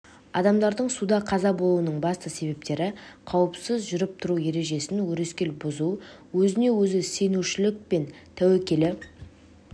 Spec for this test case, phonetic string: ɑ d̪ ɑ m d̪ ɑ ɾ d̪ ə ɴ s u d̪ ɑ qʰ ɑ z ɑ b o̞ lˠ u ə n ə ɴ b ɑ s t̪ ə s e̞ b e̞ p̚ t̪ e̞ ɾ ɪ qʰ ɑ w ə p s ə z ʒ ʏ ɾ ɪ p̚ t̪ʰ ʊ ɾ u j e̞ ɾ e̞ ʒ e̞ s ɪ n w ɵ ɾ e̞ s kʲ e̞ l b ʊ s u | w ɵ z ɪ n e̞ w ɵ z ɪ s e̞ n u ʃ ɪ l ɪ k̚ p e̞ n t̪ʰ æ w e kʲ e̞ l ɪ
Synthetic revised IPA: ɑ d̪ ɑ m d̪ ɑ ɾ d̪ ə ɴ s u d̪ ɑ qʰ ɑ z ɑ b o̞ lˠ u ə n ə ɴ b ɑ s t̪ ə s e̞ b e̞ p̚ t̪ e̞ ɾ ɪ qʰ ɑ w ə p s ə z ʒ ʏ ɾ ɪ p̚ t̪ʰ ʊ ɾ u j e̞ ɾ e̞ ʒ e̞ s ɪ n w ɵ ɾ e̞ s kʲ e̞ l b ʊ z u | w ɵ z ɪ n e̞ w ɵ z ɪ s e̞ n u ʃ ɪ l ɪ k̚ p e̞ n t̪ʰ æ w e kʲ e̞ l ɪ